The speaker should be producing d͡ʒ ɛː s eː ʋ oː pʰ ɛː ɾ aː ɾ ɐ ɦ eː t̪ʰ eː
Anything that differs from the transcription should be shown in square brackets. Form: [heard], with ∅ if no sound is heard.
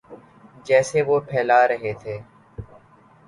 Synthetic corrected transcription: d͡ʒ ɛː s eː ʋ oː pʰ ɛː [l] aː ɾ [ə] ɦ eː t̪ʰ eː